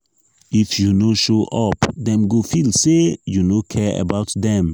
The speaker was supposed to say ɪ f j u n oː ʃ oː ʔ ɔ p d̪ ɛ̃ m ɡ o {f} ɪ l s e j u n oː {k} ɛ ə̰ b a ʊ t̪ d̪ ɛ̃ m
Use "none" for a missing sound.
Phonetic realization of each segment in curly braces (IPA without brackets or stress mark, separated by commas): f, kʰ